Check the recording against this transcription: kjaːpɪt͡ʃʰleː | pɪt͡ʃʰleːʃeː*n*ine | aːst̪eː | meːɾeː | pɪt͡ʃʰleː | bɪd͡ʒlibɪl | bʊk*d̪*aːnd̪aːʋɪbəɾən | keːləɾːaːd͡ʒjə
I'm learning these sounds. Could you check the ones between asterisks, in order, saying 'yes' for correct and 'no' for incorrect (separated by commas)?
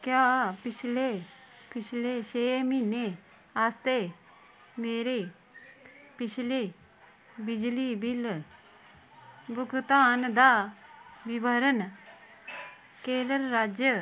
no, no